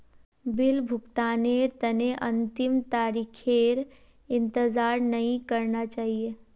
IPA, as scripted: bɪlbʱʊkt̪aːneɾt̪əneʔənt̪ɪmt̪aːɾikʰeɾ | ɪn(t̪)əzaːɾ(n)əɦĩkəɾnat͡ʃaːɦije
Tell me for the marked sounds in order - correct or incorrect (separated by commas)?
correct, correct